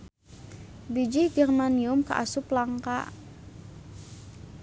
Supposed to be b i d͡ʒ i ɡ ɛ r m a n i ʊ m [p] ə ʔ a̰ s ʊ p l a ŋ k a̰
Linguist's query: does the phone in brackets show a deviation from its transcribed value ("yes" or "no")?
yes